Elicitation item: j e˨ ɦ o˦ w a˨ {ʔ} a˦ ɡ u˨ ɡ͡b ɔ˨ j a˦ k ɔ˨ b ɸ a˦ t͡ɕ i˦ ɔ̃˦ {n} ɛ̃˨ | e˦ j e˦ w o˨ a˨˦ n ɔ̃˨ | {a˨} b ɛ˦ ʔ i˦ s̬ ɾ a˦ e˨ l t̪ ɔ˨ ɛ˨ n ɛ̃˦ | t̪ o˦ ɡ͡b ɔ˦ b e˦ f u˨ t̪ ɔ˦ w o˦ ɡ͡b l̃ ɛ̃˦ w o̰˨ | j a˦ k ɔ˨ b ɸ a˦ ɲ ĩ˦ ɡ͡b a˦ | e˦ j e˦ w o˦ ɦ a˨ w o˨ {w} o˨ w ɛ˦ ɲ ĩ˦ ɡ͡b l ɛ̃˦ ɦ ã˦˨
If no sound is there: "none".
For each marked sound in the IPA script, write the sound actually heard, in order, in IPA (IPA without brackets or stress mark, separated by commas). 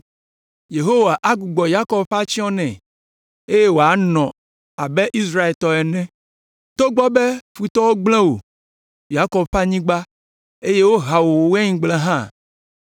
ʔ, n, a˨, w